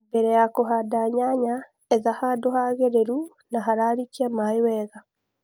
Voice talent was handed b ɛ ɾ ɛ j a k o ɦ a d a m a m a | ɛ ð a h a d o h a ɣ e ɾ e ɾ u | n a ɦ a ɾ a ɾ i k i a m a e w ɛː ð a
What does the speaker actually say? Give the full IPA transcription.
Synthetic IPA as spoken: b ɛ ɾ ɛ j a k o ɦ a d a ɲ a ɲ a | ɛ ð a h a d o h a ɣ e ɾ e ɾ u | n a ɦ a ɾ a ɾ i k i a m a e w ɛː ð a